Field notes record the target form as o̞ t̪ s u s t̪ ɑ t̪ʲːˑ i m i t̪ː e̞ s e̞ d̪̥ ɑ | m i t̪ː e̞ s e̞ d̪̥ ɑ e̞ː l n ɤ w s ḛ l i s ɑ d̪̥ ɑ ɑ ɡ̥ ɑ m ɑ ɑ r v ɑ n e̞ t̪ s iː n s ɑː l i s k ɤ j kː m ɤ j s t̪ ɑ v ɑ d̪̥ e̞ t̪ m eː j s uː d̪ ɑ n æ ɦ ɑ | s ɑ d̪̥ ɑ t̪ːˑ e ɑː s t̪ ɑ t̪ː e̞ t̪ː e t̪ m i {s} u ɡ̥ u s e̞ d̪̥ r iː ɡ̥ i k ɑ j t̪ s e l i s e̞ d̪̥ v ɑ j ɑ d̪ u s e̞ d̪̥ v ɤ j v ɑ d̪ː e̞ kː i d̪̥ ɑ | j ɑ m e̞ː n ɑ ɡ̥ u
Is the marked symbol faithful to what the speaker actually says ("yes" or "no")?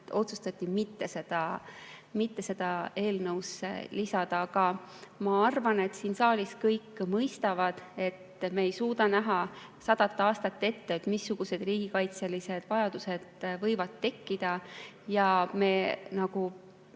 no